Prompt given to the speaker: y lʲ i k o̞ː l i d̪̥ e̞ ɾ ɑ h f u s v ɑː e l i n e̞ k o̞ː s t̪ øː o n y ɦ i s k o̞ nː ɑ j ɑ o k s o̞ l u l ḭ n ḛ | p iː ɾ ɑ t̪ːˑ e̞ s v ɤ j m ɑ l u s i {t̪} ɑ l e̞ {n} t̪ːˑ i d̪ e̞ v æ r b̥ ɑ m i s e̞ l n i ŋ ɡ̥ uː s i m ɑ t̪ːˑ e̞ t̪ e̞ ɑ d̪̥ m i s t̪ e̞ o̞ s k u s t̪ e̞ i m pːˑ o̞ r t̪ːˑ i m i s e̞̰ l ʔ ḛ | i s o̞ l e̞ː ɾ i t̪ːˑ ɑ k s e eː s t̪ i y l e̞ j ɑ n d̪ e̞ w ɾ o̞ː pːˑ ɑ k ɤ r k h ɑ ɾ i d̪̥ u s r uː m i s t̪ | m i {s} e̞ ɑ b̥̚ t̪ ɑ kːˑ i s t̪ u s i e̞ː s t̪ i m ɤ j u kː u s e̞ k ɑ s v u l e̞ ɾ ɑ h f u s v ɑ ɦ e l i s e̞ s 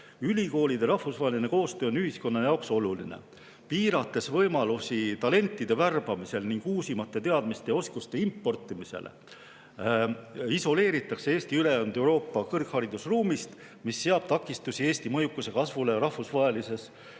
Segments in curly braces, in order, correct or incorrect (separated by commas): correct, correct, incorrect